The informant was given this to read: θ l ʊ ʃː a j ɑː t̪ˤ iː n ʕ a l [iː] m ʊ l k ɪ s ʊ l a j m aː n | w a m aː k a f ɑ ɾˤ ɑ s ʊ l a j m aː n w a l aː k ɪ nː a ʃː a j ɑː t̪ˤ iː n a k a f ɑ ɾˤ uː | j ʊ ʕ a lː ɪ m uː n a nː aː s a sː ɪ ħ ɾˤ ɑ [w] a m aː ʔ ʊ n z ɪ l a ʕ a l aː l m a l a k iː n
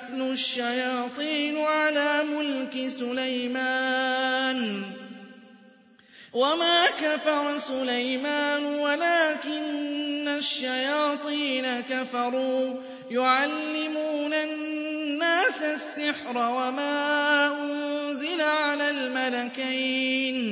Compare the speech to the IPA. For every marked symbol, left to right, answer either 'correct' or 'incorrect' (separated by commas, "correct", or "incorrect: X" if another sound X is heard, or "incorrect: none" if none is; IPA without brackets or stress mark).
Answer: incorrect: aː, correct